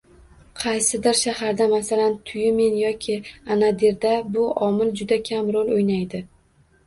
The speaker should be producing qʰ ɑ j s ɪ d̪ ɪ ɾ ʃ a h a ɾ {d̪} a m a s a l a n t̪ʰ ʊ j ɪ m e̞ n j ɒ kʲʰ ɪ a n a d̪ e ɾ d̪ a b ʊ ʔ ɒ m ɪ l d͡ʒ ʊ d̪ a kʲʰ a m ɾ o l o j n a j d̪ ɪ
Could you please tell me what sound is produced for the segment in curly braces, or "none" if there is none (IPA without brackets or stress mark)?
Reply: d̪